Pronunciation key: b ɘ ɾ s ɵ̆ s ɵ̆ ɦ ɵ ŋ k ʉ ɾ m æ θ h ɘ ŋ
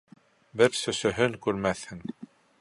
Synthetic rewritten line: b ɘ ɾ s ɵ̆ s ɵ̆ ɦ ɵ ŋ k ʉ ɾ m æ θ h ɘ ŋ